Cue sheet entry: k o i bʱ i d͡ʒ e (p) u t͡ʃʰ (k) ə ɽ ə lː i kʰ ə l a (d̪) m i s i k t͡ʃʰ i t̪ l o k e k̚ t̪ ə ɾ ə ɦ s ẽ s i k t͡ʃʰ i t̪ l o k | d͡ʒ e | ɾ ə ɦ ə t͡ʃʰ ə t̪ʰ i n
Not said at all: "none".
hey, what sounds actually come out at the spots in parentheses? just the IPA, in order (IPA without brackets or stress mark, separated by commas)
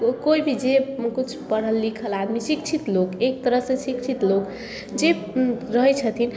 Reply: k, p, d̪